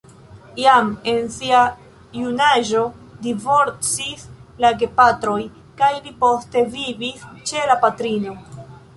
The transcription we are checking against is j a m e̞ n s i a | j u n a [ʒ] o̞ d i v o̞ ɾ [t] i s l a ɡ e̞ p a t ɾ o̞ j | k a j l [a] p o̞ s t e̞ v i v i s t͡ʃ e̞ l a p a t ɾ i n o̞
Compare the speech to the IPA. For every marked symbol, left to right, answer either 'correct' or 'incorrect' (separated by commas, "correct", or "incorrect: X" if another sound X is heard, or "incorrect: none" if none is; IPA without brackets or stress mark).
correct, incorrect: t͡s, incorrect: i